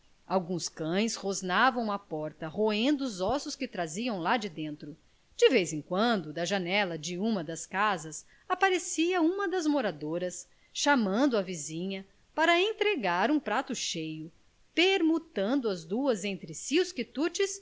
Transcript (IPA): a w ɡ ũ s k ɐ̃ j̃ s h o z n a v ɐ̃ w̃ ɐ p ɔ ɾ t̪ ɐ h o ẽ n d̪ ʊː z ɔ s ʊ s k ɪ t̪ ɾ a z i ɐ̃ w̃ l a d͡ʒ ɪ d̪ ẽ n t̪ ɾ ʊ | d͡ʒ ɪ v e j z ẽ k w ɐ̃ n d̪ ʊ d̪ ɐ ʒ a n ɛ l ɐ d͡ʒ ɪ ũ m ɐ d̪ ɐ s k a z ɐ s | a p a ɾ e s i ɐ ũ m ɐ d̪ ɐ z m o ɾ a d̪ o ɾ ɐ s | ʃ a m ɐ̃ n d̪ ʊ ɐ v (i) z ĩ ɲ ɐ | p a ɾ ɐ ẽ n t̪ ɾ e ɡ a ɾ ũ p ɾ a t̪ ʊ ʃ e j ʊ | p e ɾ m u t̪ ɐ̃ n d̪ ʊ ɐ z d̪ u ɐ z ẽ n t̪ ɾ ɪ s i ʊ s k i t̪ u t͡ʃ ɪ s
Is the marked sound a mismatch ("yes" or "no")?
no